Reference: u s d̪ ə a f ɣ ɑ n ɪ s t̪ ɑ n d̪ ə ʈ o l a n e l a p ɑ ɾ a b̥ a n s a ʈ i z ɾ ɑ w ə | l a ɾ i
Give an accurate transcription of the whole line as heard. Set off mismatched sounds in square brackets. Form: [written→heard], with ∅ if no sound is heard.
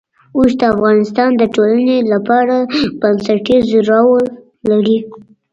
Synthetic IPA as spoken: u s d̪ ə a f ɣ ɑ n ɪ s t̪ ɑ n d̪ ə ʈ o l a n e l a p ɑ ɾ a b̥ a n s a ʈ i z ɾ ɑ w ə | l a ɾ i